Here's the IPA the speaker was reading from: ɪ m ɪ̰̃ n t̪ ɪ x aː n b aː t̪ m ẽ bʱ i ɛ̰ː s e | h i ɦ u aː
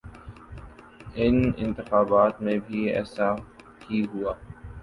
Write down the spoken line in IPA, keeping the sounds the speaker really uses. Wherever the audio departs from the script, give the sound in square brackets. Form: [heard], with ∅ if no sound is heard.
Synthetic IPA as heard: ɪ [n] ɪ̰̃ n t̪ ɪ x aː [∅] b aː t̪ m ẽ bʱ i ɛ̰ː s [a] | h i ɦ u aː